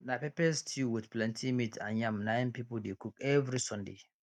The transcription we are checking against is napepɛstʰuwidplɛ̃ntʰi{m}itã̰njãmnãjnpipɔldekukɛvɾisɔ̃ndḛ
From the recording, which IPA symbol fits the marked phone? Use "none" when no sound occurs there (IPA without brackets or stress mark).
m